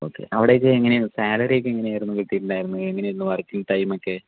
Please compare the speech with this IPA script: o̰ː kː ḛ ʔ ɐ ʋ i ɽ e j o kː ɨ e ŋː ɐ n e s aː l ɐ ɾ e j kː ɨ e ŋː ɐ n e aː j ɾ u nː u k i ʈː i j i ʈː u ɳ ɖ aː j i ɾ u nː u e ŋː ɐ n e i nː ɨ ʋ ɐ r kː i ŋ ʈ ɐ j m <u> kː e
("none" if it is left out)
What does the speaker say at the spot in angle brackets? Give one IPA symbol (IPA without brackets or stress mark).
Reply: o